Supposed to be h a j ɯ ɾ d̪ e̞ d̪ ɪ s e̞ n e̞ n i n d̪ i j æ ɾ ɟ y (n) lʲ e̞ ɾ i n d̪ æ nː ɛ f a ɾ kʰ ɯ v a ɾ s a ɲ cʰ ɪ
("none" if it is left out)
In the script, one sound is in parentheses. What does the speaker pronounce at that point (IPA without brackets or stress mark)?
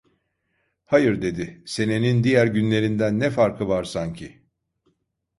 n